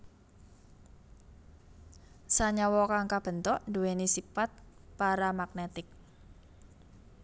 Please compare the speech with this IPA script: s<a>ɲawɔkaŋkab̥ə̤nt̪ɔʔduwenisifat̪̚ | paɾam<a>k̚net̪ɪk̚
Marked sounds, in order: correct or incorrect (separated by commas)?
correct, correct